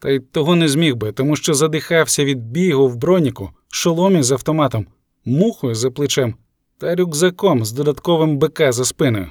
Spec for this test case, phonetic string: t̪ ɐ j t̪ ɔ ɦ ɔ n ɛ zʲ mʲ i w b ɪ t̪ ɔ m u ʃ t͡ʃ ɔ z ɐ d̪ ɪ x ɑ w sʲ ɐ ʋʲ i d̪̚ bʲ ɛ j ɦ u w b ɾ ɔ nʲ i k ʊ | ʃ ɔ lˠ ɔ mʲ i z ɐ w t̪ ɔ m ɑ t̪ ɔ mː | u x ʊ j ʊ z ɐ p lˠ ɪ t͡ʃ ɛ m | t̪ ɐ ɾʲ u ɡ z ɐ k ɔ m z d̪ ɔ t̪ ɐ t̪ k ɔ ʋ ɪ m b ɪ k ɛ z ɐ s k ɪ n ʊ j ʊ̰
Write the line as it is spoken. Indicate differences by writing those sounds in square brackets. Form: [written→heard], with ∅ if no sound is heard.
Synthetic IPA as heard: t̪ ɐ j t̪ ɔ ɦ ɔ n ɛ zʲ mʲ i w b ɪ t̪ ɔ m u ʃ t͡ʃ ɔ z ɐ d̪ ɪ x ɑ w sʲ ɐ ʋʲ i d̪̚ bʲ [ɛ→i] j ɦ [u→ʊ] w b ɾ ɔ nʲ i k ʊ | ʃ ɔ lˠ ɔ mʲ i z ɐ w t̪ ɔ m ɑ t̪ ɔ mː | u x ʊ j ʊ z ɐ p lˠ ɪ t͡ʃ ɛ m | t̪ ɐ ɾʲ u ɡ z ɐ k ɔ m z d̪ ɔ [t̪→d̪] ɐ t̪ k ɔ ʋ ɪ m b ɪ k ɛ z ɐ s [k→p] ɪ n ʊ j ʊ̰